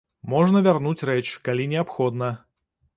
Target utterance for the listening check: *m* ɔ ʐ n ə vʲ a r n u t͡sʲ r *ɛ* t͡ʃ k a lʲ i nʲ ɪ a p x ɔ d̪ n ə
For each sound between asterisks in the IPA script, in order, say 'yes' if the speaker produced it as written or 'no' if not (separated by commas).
yes, yes